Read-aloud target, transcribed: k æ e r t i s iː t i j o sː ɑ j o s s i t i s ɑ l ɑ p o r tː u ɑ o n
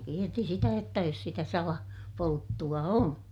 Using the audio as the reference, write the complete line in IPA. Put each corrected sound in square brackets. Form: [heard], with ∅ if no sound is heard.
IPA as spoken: k [i] e r t i s [i] t [æ] j o [tː] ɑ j o s s i t [æ] s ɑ l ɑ p o [l] tː u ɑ o n